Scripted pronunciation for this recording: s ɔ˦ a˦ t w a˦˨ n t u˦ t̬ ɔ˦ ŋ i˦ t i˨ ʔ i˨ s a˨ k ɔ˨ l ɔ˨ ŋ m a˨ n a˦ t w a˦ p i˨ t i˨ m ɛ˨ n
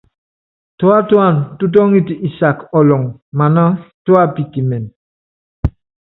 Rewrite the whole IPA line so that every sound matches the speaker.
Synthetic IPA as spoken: t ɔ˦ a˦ t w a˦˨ n t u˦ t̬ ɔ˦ ŋ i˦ t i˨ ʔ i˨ s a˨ k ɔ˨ l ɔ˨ ŋ m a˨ n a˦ t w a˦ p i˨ t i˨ m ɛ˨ n